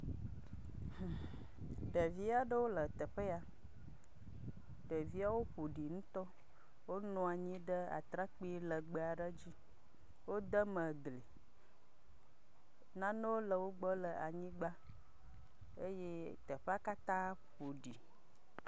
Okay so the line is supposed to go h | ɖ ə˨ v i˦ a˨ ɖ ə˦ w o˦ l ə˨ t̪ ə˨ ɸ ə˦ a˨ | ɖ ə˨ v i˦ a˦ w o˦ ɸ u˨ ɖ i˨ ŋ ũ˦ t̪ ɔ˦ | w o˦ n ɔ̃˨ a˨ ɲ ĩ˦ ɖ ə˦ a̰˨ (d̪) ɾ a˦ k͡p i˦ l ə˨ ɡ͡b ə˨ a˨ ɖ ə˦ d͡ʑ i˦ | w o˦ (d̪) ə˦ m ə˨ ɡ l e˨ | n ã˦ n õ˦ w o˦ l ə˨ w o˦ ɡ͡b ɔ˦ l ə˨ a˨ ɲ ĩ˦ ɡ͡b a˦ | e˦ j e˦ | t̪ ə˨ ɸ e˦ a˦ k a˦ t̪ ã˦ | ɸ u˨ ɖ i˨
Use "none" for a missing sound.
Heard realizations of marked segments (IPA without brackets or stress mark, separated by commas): t̪, d̪